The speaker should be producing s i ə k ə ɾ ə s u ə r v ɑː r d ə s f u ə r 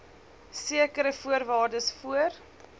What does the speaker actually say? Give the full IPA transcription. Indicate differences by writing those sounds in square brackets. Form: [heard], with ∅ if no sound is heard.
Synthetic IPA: s i ə k ə ɾ ə [f] u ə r v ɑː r d ə s f u ə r